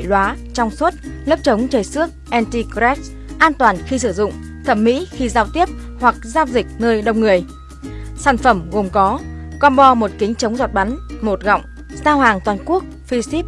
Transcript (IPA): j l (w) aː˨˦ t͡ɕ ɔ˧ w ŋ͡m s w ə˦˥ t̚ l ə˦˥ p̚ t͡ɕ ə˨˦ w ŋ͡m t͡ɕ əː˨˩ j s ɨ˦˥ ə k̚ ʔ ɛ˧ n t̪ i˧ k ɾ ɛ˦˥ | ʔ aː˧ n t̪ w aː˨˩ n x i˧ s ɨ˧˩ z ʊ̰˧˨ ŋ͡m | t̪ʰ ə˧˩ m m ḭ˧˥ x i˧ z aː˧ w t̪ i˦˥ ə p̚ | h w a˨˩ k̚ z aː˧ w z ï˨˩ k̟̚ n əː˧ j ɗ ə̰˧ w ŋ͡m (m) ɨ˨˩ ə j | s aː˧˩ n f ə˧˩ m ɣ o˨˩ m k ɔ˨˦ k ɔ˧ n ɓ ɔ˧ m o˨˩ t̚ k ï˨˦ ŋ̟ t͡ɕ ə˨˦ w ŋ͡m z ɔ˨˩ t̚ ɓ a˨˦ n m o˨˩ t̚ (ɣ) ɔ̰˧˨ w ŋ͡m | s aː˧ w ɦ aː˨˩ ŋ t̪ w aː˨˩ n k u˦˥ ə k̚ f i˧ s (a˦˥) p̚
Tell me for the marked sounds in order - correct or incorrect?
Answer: correct, incorrect, correct, incorrect

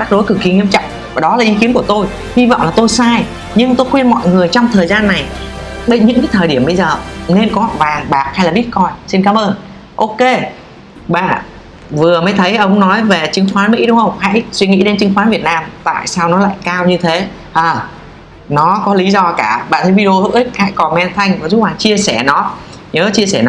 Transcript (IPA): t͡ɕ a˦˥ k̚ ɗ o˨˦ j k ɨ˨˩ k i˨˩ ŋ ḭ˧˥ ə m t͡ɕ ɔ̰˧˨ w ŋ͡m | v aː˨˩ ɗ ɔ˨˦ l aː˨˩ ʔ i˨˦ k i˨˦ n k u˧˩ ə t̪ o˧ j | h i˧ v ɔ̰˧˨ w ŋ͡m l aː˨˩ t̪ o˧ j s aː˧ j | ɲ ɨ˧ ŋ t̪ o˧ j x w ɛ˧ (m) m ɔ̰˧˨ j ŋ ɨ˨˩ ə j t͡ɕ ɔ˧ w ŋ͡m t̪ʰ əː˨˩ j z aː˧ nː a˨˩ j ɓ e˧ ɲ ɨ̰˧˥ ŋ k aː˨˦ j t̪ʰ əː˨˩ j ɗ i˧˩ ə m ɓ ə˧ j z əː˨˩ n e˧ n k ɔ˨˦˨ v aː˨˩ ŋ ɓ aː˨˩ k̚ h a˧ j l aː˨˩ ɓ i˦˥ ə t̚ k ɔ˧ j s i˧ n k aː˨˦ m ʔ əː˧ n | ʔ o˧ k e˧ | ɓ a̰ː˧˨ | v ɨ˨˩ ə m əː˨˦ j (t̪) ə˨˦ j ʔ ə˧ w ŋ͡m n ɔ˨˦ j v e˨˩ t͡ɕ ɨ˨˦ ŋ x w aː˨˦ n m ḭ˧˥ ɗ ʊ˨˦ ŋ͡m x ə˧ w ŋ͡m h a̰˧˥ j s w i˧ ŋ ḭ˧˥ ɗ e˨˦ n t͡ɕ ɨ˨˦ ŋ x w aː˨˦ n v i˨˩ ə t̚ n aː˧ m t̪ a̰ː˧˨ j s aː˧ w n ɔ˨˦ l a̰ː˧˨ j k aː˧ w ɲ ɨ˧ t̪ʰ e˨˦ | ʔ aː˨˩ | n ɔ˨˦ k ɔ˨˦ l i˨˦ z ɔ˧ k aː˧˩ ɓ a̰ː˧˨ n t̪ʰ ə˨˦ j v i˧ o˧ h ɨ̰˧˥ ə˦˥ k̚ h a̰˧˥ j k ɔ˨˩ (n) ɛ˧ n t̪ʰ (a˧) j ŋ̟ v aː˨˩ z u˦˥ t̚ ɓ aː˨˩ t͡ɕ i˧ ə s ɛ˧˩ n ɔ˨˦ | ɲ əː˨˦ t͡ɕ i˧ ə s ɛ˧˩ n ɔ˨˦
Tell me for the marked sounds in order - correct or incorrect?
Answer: incorrect, incorrect, incorrect, correct

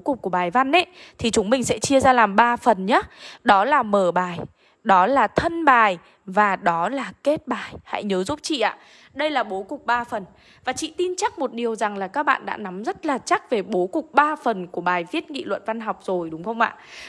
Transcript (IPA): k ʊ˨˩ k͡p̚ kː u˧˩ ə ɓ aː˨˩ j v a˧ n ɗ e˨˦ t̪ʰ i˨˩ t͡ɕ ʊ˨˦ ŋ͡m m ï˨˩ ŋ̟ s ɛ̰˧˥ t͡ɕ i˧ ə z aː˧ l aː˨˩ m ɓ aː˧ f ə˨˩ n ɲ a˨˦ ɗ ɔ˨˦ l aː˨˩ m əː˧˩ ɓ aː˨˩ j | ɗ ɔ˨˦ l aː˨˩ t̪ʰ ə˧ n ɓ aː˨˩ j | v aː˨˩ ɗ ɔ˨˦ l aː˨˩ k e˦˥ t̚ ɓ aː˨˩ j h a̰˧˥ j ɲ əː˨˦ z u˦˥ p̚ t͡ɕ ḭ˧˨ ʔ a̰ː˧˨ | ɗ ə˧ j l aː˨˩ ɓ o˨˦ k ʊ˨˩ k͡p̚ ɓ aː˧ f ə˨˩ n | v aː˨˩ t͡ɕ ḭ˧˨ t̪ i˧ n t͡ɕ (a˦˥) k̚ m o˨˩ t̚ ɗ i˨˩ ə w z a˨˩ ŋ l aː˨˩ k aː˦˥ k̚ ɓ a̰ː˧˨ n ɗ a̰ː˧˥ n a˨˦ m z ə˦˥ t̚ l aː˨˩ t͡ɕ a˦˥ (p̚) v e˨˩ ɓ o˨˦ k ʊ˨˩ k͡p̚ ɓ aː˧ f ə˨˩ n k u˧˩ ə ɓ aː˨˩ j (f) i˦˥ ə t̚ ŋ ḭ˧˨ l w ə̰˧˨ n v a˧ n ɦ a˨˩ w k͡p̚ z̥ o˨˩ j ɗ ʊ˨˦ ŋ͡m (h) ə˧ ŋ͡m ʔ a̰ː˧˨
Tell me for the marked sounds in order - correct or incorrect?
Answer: correct, incorrect, incorrect, incorrect

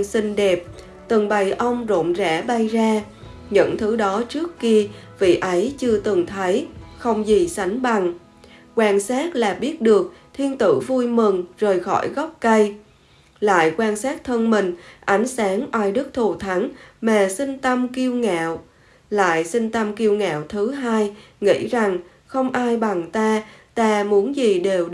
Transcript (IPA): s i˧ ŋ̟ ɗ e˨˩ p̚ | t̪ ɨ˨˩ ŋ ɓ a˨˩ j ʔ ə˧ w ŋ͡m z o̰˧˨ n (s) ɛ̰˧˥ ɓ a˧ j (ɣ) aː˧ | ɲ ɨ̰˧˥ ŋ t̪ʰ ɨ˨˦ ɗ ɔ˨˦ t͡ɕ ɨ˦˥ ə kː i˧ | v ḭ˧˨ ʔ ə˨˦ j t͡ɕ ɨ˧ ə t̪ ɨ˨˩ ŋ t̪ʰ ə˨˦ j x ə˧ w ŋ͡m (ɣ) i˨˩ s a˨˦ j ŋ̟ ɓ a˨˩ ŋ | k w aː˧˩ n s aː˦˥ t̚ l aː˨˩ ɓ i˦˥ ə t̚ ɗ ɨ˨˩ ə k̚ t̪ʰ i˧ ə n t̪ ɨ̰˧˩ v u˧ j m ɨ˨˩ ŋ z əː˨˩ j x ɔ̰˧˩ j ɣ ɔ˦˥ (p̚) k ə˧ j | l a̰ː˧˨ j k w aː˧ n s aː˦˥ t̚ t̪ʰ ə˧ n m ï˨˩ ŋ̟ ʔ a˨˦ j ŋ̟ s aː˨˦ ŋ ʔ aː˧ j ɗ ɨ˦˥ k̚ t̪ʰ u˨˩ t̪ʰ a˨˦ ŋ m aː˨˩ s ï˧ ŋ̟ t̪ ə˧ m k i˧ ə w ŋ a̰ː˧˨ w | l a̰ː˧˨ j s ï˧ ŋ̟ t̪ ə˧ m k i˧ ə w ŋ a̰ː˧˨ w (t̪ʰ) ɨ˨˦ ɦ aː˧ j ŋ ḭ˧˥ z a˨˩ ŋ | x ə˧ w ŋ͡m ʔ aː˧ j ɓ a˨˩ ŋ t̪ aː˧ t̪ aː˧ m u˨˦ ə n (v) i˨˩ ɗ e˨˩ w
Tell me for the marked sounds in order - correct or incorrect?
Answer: incorrect, incorrect, incorrect, correct, correct, incorrect

